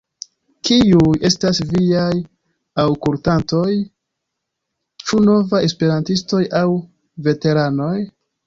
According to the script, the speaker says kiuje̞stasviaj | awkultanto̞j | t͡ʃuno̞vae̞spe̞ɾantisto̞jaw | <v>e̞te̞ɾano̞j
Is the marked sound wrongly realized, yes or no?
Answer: no